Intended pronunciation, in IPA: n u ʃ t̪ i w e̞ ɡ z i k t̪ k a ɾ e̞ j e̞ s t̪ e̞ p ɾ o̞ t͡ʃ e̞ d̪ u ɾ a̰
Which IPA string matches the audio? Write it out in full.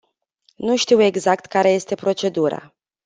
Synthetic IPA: n u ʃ t̪ i w e̞ ɡ z a k t̪ k a ɾ e̞ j e̞ s t̪ e̞ p ɾ o̞ t͡ʃ e̞ d̪ u ɾ a̰

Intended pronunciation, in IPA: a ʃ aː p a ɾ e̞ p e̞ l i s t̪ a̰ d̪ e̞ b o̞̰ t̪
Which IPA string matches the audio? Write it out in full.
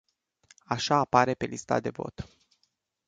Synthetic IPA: a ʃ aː p a ɾ e̞ p e̞ l i s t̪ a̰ d̪ e̞ v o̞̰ t̪

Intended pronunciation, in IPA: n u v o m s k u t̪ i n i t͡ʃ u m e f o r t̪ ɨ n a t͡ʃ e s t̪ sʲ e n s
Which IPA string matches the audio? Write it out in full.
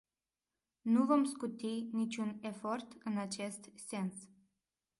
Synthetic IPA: n u v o m s k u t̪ i n i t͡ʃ u n e f o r t̪ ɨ n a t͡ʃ e s t̪ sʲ e n s

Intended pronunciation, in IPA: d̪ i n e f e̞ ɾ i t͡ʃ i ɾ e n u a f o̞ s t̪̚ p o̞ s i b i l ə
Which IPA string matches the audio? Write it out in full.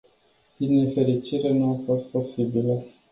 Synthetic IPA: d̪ i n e f e̞ ɾ i t͡ʃ i ɾ e n u a f o̞ s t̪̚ p o̞ s i b i l ə

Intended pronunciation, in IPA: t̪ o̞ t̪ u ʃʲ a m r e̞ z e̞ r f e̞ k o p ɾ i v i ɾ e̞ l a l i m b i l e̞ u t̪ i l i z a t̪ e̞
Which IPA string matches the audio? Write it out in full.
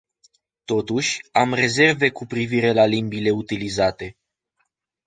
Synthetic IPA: t̪ o̞ t̪ u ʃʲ a m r e̞ z e̞ r v e̞ k u p ɾ i v i ɾ e̞ l a l i m b i l e̞ u t̪ i l i z a t̪ e̞

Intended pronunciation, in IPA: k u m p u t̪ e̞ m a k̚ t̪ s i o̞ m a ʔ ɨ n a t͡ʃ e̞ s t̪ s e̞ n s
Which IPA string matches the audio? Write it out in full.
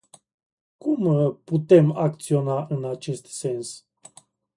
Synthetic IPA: k u m p u t̪ e̞ m a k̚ t̪ s i o̞ n a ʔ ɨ n a t͡ʃ e̞ s t̪ s e̞ n s

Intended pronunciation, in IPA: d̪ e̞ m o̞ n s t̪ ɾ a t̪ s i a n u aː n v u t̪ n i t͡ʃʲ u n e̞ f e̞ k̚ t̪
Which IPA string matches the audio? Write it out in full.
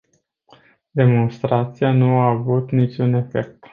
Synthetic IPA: d̪ e̞ m o̞ n s t̪ ɾ a t̪ s i a n u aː v u t̪ n i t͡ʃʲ u n e̞ f e̞ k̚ t̪

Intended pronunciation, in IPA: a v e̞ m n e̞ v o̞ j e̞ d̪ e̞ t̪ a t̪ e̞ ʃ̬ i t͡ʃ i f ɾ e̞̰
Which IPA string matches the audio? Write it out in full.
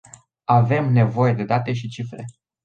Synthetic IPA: a v e̞ m n e̞ v o̞ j e̞ d̪ e̞ d̪ a t̪ e̞ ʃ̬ i t͡ʃ i f ɾ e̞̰

